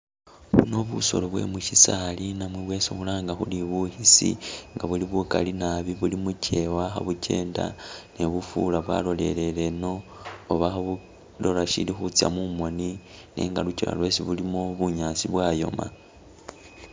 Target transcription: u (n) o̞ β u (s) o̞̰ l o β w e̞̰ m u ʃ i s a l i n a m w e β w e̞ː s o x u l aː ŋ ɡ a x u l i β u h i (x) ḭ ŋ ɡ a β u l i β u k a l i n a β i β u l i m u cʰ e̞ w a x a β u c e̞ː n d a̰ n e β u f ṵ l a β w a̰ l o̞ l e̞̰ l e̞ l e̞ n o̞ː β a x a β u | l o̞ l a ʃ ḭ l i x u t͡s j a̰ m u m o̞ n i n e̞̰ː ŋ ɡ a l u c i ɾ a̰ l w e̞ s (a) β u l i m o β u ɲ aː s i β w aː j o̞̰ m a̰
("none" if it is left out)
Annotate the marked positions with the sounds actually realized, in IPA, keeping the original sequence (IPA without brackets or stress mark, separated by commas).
n, s, s, i